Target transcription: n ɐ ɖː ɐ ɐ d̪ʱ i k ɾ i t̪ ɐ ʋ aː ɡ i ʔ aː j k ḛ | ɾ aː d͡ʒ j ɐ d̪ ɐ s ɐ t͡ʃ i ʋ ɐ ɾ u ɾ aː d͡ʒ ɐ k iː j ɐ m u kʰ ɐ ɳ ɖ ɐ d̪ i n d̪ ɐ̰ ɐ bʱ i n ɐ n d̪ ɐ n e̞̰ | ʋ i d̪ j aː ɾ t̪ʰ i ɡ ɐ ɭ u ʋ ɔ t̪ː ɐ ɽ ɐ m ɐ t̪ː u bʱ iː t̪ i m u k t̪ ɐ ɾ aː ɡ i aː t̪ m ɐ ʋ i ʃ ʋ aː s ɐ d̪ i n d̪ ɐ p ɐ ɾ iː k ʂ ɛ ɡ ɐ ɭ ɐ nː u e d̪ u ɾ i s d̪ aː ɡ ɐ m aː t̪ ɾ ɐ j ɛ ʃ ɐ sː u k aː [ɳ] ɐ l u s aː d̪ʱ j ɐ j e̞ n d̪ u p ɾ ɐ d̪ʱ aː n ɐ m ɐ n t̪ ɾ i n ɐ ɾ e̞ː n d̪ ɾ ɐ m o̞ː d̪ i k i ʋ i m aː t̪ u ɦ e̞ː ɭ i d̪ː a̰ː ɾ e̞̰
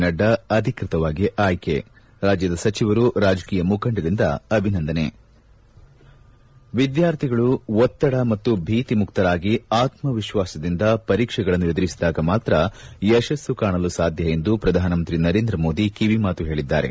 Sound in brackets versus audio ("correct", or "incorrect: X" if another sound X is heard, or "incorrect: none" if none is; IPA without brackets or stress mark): correct